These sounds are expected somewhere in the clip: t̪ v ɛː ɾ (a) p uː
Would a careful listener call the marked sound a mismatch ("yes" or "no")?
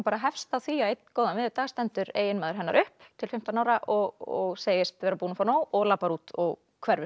no